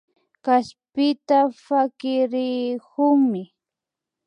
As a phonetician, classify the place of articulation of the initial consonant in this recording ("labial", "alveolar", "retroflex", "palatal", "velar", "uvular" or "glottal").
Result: velar